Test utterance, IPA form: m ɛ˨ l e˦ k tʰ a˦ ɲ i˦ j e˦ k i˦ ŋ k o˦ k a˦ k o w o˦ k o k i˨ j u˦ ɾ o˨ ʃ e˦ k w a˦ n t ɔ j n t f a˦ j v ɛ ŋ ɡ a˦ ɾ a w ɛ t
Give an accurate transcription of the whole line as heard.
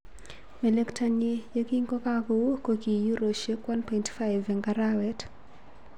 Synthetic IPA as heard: m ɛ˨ l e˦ k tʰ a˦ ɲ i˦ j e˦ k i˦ ŋ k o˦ k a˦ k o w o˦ k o k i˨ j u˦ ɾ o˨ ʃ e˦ k w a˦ n p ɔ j n t f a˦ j v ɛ ŋ ɡ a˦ ɾ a w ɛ t